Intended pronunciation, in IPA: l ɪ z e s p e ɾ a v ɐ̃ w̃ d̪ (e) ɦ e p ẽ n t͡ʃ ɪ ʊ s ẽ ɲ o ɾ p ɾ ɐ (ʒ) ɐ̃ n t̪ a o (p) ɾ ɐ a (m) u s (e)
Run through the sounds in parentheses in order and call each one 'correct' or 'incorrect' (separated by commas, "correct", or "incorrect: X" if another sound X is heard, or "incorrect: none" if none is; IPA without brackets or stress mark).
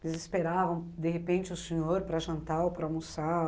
correct, correct, correct, correct, incorrect: a